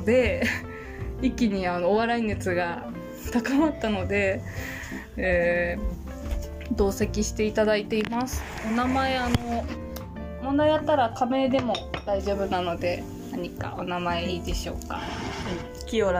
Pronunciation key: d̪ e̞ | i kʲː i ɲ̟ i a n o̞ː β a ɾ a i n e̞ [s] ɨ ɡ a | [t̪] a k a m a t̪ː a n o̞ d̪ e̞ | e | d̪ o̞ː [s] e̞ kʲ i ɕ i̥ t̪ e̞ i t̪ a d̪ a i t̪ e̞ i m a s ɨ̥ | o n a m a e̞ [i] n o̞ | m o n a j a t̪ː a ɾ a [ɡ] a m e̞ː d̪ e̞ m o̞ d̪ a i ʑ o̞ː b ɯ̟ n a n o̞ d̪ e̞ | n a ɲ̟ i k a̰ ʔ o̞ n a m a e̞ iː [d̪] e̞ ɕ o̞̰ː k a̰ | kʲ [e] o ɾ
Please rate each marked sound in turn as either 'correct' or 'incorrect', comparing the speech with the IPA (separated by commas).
incorrect, correct, correct, incorrect, incorrect, correct, incorrect